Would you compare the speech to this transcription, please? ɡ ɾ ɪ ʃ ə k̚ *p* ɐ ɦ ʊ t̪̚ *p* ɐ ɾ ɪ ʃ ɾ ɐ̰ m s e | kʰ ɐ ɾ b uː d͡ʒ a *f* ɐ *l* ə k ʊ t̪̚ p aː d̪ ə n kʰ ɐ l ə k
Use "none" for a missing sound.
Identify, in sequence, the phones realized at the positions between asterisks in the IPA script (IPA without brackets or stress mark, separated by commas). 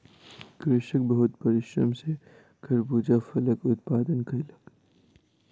b, p, f, l